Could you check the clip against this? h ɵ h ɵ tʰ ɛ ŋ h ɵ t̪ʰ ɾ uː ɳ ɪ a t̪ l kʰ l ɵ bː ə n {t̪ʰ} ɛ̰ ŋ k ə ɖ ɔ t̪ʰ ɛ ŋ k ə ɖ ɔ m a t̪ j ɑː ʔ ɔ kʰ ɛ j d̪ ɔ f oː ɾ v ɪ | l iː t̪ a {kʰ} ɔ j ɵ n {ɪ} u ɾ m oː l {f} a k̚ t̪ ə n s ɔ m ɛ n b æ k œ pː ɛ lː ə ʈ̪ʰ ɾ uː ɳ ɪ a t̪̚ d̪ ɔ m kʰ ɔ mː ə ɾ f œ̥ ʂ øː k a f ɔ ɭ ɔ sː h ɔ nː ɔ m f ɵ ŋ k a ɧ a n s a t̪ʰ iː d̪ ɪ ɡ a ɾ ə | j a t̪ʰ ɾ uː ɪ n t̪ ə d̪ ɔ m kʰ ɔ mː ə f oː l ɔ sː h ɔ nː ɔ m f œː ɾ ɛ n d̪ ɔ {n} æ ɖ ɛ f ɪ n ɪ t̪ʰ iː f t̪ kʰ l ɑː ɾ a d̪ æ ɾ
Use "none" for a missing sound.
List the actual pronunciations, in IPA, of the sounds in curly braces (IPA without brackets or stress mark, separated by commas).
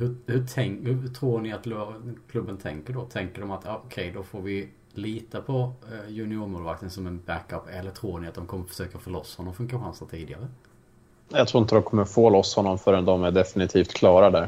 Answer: t̪ʰ, pʰ, ɪ, v, m